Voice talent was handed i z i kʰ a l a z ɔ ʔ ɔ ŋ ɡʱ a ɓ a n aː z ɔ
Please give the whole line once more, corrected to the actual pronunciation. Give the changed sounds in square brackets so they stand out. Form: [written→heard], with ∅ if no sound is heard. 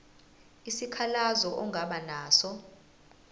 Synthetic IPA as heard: i [z→s] i kʰ a l a z ɔ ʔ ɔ ŋ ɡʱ a ɓ a n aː [z→s] ɔ